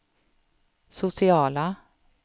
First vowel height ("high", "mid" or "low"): high